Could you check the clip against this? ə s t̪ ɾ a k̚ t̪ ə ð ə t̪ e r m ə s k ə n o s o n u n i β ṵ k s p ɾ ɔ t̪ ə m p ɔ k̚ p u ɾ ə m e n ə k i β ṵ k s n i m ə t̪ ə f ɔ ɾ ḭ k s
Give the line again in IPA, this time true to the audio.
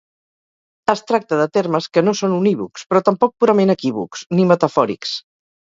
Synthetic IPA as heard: ə s t̪ ɾ a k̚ t̪ ə ð ə t̪ e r m ə s k ə n o s o n u n i β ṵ k s p ɾ ɔ t̪ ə m p ɔ k̚ p u ɾ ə m e n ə k i β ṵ k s n i m ə t̪ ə f ɔ ɾ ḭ k s